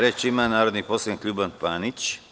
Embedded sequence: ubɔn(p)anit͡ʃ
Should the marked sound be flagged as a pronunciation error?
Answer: no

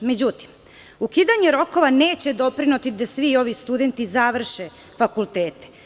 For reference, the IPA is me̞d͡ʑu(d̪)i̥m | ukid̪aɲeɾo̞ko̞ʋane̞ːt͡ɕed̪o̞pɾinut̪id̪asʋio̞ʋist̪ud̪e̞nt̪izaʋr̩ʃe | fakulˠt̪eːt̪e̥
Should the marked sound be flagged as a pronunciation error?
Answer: yes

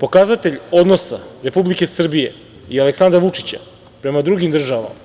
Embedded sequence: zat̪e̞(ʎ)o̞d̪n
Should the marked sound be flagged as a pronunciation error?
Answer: no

